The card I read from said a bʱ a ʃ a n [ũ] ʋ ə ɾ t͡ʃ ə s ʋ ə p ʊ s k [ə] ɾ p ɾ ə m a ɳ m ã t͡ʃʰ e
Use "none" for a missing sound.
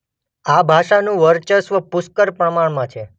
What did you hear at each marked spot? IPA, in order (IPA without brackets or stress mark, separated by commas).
ũ, ə